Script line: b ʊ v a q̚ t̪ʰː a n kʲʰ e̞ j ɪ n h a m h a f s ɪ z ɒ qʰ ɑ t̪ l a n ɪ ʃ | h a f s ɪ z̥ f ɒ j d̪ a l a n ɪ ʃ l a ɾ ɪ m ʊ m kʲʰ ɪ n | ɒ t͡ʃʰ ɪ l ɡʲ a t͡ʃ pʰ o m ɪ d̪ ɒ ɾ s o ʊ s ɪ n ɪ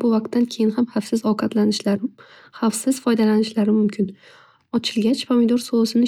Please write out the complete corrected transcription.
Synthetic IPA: b ʊ v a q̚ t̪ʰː a n kʲʰ e̞ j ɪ n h a m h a f s ɪ z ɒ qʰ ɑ t̪ l a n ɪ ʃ | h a f s ɪ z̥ f ɒ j d̪ a l a n ɪ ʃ l a ɾ ɪ m ʊ m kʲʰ ɪ n | ɒ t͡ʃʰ ɪ l ɡʲ a t͡ʃ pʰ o m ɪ d̪ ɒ ɾ s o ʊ s ɪ n ɪ